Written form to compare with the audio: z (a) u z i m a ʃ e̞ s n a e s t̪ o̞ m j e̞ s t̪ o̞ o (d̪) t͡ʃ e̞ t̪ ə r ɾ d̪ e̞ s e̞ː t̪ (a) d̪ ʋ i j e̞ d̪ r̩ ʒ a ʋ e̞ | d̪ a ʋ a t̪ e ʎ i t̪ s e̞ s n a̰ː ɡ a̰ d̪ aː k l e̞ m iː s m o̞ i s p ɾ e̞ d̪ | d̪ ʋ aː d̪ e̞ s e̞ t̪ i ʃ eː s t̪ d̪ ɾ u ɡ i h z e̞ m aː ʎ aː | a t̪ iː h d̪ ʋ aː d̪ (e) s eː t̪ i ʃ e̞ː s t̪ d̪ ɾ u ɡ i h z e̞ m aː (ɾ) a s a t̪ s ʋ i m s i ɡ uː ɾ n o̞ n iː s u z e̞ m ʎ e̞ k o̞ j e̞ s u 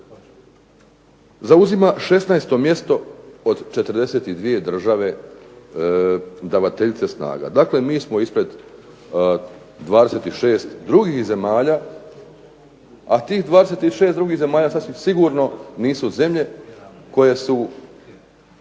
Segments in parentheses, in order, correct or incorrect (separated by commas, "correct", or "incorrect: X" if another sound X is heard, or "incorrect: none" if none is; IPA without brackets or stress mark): correct, correct, incorrect: i, correct, incorrect: ʎ